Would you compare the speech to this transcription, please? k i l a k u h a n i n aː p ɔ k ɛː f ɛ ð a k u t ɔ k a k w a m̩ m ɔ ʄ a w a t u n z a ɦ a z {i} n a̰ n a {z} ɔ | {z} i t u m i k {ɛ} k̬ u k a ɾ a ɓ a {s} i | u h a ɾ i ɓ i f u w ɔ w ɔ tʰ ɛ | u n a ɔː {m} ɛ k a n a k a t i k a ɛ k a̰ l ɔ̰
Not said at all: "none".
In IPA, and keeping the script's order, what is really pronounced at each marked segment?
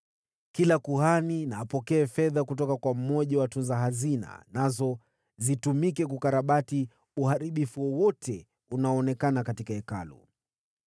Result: i, z, z, ɛ, t, n

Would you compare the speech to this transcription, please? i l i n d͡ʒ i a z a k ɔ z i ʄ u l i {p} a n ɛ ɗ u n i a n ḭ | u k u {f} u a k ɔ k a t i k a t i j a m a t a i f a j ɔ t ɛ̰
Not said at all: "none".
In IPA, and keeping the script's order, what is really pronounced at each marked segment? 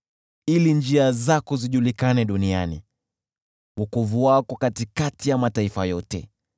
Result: k, v

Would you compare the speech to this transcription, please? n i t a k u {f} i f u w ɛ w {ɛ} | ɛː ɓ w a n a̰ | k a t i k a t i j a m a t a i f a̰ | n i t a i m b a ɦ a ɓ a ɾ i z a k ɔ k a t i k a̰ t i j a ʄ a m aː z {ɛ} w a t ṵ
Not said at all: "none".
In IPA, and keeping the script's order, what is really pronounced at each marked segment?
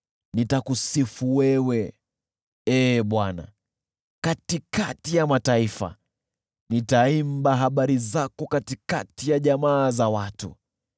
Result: s, ɛ, a

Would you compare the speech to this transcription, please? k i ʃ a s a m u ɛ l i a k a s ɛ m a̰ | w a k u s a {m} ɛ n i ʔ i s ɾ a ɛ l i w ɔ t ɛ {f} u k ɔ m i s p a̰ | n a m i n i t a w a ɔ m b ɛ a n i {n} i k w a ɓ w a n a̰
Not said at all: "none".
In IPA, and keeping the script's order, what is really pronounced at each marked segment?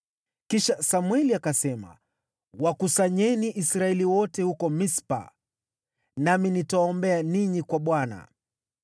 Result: ɲ, h, ɲ

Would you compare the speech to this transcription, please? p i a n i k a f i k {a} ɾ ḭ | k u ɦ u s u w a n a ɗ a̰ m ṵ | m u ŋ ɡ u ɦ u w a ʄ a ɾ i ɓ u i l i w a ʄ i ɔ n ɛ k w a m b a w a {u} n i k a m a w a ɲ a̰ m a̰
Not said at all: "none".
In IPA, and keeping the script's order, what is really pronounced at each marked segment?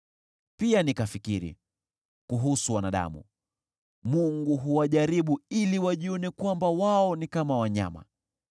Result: i, ɔ

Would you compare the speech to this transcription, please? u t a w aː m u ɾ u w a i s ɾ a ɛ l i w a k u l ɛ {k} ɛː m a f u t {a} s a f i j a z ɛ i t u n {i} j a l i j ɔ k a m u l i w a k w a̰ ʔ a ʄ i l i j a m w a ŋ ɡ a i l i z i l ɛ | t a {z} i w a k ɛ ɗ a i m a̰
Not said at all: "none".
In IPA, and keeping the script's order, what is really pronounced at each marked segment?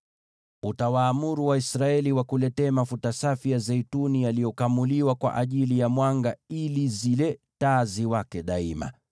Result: t, a, i, z

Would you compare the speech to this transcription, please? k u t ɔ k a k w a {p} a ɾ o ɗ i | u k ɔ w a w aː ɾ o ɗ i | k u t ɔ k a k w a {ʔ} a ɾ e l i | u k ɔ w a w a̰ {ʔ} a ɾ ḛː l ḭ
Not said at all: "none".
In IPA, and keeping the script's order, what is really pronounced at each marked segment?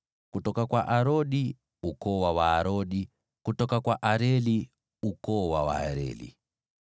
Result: ʔ, ʔ, none

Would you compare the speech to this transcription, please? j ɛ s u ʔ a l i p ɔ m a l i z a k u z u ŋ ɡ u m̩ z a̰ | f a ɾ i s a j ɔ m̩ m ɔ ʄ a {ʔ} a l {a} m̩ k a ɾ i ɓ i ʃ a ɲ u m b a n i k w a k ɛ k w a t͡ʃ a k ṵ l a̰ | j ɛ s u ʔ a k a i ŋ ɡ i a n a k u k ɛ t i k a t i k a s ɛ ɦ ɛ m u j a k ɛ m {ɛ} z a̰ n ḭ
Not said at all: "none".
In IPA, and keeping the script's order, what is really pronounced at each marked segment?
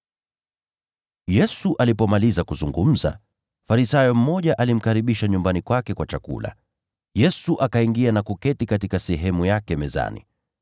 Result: ʔ, i, ɛ

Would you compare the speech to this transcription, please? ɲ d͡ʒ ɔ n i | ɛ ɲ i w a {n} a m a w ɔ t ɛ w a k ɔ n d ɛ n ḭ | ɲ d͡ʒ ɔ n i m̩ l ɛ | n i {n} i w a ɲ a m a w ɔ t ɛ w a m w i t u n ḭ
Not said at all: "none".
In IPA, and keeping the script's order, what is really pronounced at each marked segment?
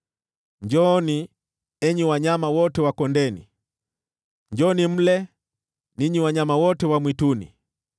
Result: ɲ, ɲ

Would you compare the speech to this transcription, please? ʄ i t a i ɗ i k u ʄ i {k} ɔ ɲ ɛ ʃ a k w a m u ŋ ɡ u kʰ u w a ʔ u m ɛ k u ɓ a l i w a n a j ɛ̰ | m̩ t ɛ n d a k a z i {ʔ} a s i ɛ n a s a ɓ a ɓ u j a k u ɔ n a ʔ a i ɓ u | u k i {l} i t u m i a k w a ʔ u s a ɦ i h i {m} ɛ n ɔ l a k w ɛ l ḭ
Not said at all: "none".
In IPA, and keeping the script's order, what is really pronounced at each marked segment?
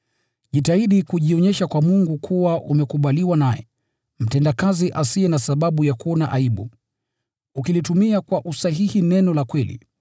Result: none, ʔ, l, n

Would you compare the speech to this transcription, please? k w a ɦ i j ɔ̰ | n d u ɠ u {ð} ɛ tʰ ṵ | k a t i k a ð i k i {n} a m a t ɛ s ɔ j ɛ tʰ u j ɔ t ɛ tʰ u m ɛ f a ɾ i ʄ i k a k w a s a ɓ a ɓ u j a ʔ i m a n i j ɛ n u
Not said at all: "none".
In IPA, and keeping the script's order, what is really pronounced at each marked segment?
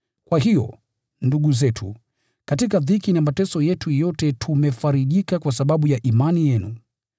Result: z, n

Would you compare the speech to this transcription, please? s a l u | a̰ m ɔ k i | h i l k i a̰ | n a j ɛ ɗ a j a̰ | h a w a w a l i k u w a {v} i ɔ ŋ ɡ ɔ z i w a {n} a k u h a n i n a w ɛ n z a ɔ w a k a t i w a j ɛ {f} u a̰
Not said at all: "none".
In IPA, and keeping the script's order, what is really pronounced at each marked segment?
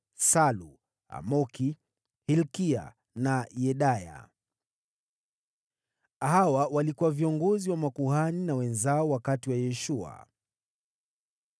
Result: v, m, ʃ

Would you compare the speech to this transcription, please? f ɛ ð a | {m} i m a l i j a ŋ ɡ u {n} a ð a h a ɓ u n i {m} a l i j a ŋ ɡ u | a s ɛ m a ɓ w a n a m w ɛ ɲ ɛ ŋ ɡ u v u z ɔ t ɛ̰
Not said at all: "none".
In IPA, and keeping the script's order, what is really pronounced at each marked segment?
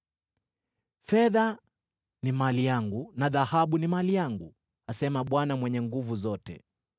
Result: n, n, m

